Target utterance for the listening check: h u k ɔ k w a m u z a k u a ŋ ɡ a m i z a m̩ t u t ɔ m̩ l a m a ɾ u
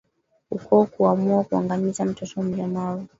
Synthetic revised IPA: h u k ɔ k u a m u a k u a ŋ ɡ a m i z a m̩ t ɔ t ɔ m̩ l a m a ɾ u